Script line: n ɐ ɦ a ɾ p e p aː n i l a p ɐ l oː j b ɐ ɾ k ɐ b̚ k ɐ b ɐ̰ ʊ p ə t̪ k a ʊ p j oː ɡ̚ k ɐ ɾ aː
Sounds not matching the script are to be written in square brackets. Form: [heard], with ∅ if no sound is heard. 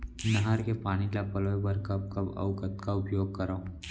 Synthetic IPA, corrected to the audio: n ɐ ɦ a ɾ [k] e p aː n i l a p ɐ l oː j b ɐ ɾ k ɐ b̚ k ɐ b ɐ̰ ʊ [k] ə t̪ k a ʊ p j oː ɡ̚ k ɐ ɾ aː